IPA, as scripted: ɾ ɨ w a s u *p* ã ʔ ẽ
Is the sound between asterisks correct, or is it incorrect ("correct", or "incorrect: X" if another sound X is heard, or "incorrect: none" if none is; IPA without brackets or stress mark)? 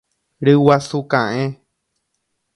incorrect: k